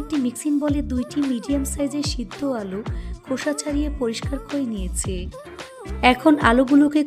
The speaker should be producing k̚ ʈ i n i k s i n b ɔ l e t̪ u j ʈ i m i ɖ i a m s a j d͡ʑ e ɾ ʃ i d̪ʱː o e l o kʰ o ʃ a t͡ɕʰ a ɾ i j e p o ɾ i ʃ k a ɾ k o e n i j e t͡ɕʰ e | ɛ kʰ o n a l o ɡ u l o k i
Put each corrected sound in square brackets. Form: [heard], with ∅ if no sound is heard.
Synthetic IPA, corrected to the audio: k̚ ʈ i [m] i k s i n b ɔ l e [d̪] u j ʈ i m i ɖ i a m s a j d͡ʑ e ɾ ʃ i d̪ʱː o [a] l o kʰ o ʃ a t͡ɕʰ a ɾ i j e p o ɾ i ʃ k a ɾ k o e n i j e t͡ɕʰ e | ɛ kʰ o n a l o ɡ u l o k [e]